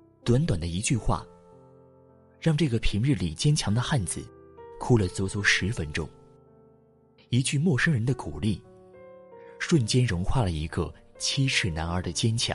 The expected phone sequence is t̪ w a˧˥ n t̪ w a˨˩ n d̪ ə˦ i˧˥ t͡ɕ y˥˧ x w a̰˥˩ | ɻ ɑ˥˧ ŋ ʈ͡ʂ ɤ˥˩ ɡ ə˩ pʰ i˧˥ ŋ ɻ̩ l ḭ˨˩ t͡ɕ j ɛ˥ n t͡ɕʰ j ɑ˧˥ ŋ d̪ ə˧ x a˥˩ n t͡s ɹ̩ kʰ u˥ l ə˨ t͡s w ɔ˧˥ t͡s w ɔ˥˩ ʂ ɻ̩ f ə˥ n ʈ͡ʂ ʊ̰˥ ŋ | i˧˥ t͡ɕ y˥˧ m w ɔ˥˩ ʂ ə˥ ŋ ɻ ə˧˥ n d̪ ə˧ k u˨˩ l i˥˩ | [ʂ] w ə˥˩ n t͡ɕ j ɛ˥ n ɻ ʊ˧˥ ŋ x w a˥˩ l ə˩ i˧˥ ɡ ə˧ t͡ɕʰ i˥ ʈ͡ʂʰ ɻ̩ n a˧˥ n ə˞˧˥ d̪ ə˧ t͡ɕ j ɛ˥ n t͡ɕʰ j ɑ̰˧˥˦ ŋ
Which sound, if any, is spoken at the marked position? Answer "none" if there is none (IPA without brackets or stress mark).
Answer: ʂ